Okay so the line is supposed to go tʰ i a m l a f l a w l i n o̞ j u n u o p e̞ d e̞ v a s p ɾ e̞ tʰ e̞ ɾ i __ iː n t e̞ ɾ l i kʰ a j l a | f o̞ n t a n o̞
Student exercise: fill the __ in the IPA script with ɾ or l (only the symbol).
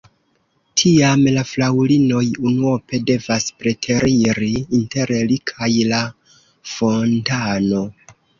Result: ɾ